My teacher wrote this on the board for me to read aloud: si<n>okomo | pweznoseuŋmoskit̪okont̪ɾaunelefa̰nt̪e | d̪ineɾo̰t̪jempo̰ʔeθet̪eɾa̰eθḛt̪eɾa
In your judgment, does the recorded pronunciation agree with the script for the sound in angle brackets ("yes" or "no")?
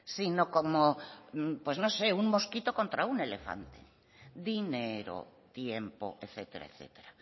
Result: yes